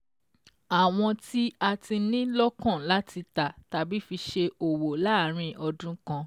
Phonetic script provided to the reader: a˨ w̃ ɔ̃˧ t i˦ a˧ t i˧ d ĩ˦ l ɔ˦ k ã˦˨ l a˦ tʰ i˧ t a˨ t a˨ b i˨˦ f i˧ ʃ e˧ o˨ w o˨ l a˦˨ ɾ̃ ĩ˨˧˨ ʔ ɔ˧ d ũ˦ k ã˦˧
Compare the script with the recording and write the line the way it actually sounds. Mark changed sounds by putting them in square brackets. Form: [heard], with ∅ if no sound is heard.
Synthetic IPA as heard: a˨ w̃ ɔ̃˧ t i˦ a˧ t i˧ [n] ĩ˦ l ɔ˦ k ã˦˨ l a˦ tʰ i˧ t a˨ t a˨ b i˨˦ f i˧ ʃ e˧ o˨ w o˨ l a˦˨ ɾ̃ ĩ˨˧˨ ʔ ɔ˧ d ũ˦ k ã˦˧